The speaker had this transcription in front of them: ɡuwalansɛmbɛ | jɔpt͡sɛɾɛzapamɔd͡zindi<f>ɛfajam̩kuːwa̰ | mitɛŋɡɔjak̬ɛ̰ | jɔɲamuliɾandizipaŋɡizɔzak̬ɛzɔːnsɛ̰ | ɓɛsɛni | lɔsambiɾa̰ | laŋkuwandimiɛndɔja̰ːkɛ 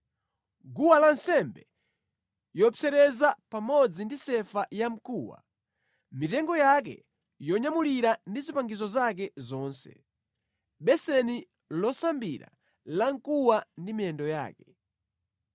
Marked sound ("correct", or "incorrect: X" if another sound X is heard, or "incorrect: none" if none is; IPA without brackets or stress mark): incorrect: s